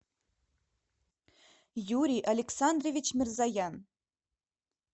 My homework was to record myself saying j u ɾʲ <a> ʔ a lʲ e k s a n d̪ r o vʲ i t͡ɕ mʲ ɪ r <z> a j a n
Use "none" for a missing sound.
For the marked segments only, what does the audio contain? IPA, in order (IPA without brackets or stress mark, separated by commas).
i, z